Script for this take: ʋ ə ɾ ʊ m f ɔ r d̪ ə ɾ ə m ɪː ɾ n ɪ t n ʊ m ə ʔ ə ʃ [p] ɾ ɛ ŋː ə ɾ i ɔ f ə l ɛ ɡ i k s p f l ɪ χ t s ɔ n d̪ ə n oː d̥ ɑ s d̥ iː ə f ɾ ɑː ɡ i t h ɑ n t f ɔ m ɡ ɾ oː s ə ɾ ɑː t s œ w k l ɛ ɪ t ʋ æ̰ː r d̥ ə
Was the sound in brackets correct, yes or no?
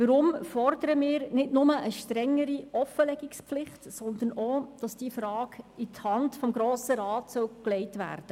no